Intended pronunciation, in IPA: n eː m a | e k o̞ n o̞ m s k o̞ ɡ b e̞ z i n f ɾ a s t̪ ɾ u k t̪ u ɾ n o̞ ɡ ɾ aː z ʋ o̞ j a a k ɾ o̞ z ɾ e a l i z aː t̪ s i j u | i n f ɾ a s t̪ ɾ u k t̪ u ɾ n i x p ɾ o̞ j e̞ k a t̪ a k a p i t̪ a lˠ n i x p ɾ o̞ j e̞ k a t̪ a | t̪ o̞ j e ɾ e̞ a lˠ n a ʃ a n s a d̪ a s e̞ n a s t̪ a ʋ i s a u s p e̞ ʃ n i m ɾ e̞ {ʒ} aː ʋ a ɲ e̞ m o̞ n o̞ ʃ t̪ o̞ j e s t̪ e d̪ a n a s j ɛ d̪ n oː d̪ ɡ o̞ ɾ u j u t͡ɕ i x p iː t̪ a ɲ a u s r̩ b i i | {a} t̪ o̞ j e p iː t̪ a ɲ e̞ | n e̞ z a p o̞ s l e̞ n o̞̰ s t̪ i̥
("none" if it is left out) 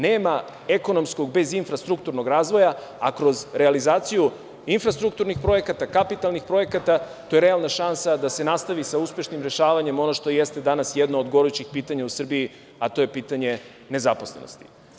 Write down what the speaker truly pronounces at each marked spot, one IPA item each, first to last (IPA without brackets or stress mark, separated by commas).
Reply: ʃ, a